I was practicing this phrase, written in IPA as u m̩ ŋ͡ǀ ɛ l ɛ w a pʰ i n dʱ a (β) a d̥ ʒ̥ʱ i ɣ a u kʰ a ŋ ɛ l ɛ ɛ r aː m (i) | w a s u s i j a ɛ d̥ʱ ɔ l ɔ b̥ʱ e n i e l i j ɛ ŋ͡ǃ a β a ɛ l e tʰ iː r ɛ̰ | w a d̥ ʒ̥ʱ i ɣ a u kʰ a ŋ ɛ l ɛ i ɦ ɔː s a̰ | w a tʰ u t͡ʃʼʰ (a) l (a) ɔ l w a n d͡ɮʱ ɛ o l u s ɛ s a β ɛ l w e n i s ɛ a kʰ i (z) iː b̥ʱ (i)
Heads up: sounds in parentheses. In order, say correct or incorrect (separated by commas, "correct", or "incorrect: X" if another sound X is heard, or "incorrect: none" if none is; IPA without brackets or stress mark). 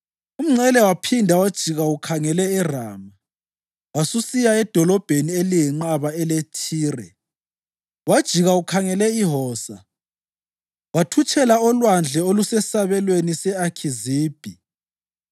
incorrect: w, incorrect: a, incorrect: ɛ, correct, correct, correct